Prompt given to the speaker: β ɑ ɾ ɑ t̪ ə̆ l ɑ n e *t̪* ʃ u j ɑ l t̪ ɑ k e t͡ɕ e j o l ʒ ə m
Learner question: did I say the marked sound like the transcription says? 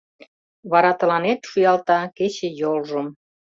yes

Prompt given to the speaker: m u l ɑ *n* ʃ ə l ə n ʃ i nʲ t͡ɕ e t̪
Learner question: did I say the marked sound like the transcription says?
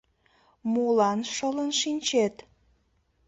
yes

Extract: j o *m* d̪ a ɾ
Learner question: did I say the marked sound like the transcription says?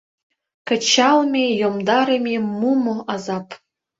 yes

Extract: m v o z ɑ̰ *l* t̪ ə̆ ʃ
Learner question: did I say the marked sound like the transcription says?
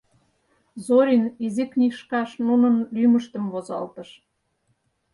yes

